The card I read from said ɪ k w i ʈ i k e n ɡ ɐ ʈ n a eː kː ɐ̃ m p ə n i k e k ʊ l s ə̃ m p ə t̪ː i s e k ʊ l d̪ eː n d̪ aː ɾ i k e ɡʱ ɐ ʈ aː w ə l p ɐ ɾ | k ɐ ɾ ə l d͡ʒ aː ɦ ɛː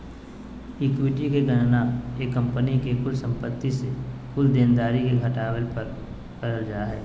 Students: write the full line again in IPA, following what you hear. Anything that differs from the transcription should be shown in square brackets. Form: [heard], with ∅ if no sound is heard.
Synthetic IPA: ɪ k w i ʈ i k e [∅] ɡ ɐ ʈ n a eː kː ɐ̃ m p ə n i k e k ʊ l s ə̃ m p ə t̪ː i s e k ʊ l d̪ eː n d̪ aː ɾ i k e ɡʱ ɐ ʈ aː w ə l p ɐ ɾ | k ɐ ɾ ə l d͡ʒ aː ɦ ɛː